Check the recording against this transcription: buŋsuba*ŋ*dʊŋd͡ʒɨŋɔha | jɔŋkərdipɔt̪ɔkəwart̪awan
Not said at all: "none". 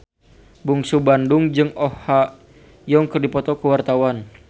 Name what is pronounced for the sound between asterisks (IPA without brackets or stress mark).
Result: n